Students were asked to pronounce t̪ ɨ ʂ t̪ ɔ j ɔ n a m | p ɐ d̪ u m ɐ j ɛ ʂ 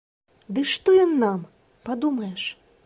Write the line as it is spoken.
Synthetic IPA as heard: d̪ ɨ ʂ t̪ ɔ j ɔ nː a m | p a d̪ u m ɐ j ɛ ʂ